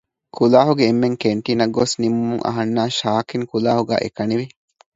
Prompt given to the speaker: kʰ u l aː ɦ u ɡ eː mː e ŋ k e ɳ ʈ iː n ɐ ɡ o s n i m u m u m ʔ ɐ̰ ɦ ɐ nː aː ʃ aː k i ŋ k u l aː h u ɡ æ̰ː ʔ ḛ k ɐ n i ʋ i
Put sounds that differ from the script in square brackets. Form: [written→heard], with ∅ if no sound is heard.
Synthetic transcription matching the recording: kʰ u l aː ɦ u ɡ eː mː e ŋ k e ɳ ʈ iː n ɐ ɡ o s n i m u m u [m→ŋ] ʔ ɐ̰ ɦ ɐ nː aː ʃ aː k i ŋ k u l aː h u ɡ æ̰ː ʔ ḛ k ɐ n i ʋ i